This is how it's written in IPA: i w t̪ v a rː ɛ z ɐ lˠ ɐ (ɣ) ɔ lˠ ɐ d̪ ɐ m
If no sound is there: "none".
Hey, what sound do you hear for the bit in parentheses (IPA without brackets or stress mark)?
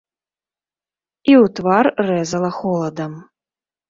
x